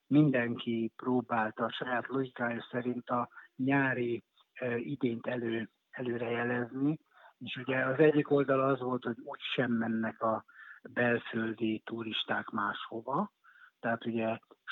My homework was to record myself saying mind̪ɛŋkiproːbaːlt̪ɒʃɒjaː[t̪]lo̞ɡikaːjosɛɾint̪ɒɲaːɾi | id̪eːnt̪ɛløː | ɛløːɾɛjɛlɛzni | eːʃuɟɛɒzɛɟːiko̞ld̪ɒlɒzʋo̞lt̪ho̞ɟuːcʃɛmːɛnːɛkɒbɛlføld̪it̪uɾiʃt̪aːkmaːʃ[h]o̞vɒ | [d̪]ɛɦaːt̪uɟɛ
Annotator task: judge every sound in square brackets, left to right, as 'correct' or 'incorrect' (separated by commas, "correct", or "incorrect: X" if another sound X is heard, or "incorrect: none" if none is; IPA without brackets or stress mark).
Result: correct, correct, incorrect: t̪